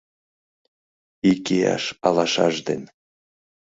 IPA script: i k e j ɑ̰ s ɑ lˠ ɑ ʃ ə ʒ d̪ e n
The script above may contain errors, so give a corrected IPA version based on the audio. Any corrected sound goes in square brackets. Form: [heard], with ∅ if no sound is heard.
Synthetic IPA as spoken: i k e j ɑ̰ [ʃ] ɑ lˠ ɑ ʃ [ɑ] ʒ d̪ e n